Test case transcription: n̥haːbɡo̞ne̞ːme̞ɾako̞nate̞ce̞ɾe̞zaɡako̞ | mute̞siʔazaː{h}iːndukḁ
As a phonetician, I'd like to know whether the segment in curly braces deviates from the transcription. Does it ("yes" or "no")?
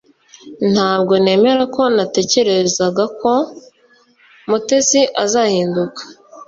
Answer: no